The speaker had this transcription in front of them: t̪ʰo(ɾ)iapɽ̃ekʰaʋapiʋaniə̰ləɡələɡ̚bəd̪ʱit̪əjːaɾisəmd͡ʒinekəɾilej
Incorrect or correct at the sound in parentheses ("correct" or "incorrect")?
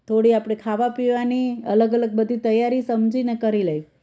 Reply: incorrect